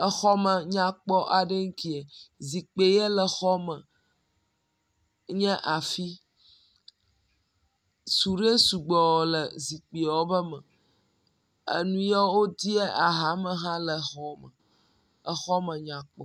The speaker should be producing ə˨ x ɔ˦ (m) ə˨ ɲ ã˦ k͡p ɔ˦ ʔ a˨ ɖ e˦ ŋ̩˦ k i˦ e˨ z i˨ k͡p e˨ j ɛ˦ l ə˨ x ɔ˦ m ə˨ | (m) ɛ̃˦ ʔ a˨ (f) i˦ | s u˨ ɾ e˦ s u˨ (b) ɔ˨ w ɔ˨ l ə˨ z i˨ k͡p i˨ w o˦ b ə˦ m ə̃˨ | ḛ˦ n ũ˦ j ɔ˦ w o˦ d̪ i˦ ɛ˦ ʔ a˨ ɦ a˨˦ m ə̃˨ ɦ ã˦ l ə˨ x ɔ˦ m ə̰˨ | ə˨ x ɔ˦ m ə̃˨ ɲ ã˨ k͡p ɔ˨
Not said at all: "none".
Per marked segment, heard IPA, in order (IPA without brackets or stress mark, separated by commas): m, ɲ, f, ɡ͡b